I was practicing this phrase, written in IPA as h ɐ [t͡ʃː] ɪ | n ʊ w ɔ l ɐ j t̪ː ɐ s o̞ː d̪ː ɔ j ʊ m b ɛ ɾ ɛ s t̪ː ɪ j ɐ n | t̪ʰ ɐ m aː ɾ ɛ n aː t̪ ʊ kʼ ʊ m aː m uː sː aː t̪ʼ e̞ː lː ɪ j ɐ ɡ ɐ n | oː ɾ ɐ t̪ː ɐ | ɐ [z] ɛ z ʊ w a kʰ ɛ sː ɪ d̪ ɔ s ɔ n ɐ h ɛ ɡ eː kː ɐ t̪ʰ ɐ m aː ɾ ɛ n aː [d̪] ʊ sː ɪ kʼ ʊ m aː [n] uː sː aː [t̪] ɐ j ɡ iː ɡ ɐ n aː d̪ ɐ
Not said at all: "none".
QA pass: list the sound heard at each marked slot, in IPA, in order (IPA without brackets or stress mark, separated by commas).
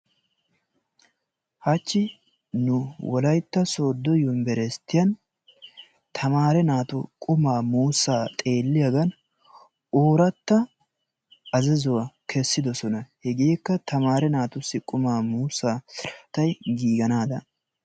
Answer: t͡ʃː, z, t̪, m, t̪